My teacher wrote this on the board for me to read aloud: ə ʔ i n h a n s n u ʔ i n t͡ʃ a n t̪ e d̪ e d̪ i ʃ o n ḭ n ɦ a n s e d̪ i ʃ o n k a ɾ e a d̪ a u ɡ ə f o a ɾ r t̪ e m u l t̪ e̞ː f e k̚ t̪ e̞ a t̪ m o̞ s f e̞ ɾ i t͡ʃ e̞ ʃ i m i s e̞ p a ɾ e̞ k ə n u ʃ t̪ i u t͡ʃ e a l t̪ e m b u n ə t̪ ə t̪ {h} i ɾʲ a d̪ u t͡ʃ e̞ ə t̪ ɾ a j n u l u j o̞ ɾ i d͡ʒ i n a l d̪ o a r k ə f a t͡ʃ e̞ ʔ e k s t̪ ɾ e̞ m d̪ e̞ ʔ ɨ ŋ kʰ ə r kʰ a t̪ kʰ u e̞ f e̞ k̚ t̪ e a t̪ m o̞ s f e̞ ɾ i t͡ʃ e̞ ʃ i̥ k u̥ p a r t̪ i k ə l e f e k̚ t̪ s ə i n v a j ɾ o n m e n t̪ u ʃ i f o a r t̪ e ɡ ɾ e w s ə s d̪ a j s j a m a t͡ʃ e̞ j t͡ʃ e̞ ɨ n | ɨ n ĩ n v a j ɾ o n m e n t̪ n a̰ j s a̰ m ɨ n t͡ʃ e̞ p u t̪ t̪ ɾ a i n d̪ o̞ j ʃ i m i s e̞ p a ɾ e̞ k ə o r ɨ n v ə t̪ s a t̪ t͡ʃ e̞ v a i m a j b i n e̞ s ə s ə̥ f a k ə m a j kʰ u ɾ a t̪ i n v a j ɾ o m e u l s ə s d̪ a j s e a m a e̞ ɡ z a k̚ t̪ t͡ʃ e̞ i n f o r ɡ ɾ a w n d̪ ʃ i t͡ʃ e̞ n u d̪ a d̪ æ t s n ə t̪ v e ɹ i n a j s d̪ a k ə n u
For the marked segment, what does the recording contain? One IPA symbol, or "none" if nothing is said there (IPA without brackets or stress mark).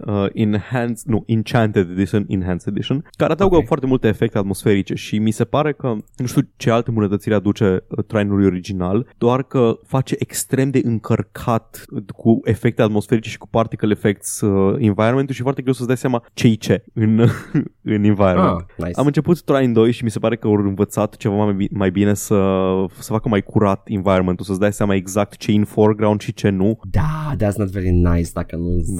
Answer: s